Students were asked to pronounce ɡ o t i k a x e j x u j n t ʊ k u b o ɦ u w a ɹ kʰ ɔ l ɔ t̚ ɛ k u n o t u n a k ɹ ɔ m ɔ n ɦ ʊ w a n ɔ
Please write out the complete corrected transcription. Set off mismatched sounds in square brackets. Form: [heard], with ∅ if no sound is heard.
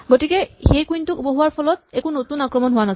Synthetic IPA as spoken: ɡ o t i k [ɛ] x e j [k] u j n t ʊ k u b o ɦ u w a ɹ [pʰ] ɔ l ɔ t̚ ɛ k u n o t u n a k ɹ ɔ m ɔ n ɦ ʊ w a n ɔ